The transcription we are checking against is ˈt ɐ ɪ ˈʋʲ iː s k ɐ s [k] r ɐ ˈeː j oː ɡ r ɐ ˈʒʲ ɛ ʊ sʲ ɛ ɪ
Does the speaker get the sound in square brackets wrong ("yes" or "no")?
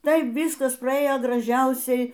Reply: yes